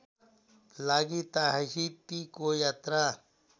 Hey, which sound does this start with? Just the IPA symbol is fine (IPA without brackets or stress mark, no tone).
l